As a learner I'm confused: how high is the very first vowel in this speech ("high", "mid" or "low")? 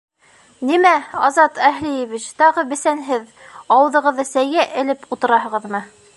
high